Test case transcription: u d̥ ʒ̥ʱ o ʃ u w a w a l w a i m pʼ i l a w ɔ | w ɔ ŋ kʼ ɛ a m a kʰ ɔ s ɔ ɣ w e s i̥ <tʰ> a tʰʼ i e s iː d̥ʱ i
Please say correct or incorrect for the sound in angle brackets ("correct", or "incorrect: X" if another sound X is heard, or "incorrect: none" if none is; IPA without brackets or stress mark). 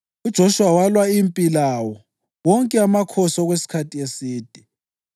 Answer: incorrect: kʰ